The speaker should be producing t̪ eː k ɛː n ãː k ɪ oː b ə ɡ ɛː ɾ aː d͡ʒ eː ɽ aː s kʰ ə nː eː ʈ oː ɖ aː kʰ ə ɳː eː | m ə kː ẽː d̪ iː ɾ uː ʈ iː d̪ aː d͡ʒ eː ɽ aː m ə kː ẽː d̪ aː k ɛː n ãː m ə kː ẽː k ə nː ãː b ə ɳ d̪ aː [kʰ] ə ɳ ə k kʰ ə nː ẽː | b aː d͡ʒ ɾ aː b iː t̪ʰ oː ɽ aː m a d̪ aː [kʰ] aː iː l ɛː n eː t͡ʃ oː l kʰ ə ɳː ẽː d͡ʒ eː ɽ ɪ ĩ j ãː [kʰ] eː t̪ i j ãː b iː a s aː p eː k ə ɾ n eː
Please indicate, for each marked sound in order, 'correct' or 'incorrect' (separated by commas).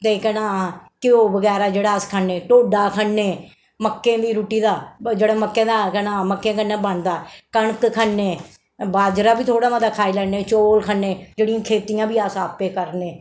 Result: incorrect, correct, correct